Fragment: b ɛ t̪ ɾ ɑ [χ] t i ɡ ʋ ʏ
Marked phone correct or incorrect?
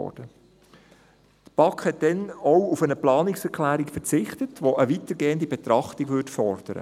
correct